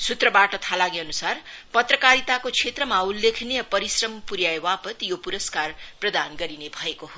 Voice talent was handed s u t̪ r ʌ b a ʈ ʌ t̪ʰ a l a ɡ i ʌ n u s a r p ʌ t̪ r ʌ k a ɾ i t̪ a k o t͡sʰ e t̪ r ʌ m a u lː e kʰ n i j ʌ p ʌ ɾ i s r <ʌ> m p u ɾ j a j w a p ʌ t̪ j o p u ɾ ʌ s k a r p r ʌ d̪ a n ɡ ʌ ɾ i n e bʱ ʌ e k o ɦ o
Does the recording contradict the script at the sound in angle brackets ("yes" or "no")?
no